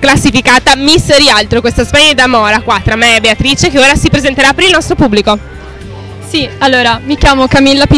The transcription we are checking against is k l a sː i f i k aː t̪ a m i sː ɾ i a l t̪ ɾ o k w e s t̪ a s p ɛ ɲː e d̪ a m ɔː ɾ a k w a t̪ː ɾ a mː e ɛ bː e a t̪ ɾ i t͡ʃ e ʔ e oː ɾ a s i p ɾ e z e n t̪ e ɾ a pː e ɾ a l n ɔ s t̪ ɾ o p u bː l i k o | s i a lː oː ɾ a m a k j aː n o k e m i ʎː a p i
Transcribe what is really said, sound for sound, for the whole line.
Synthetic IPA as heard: k l a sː i f i k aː t̪ a m i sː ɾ i a l t̪ ɾ o k w e s t̪ a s p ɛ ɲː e d̪ a m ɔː ɾ a k w a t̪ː ɾ a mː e ɛ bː e a t̪ ɾ i t͡ʃ e k e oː ɾ a s i p ɾ e z e n t̪ e ɾ a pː e ɾ i l n ɔ s t̪ ɾ o p u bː l i k o | s i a lː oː ɾ a m i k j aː m o k a m i lː a p i